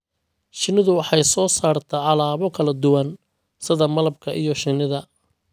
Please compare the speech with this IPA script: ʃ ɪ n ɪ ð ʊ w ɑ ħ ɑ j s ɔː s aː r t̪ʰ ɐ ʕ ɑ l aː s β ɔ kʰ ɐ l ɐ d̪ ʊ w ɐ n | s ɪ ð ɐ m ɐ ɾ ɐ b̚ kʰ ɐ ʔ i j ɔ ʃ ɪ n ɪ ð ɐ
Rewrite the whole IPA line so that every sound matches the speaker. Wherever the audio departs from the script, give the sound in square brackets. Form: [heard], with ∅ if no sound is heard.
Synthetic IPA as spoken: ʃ ɪ n ɪ ð ʊ w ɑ ħ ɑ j s ɔː s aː r t̪ʰ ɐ ʕ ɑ l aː [∅] β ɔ kʰ ɐ l ɐ d̪ ʊ w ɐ n | s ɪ ð ɐ m ɐ [l] ɐ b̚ kʰ ɐ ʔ i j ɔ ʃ ɪ n ɪ ð ɐ

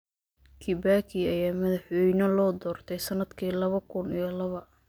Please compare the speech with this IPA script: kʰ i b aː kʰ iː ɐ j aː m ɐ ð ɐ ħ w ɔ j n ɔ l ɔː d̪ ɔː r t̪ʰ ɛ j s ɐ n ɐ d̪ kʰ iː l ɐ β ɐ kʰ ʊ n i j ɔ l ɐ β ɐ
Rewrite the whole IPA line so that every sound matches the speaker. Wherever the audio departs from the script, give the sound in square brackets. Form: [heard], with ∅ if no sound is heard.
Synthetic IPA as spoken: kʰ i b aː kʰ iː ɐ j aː m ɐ ð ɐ ħ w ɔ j n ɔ l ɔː d̪ ɔː r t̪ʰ ɛ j s ɐ n ɐ d̪ kʰ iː l ɐ β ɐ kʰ ʊ n i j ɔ l ɐ β ɐ

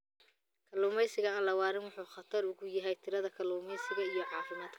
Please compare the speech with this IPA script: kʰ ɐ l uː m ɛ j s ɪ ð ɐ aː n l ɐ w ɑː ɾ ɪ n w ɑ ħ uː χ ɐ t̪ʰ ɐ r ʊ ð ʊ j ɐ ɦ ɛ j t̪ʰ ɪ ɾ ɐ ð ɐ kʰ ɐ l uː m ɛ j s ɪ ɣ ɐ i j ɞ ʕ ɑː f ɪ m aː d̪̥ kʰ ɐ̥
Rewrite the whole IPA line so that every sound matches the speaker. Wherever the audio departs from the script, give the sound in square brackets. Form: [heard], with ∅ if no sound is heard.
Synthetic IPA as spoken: kʰ ɐ l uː m ɛ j s ɪ [ɣ] ɐ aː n l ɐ w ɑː ɾ ɪ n w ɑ ħ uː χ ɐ t̪ʰ ɐ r ʊ [ɣ] ʊ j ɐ ɦ ɛ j t̪ʰ ɪ ɾ ɐ ð ɐ kʰ ɐ l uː m ɛ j s ɪ ɣ ɐ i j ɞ ʕ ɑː f ɪ m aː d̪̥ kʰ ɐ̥

